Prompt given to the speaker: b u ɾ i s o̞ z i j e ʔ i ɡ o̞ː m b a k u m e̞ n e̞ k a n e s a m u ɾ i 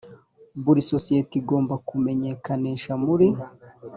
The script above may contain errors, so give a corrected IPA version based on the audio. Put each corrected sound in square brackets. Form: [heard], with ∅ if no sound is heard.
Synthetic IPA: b u ɾ i s o̞ [s] i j e [t] i ɡ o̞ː m b a k u m e̞ [ɲ] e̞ k a n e [ʃ] a m u ɾ i